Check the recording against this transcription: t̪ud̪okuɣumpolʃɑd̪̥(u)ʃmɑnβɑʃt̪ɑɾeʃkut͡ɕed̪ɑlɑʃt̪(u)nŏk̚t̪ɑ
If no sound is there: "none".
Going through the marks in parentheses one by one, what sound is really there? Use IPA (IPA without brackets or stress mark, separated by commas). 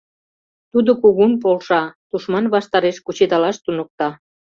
u, u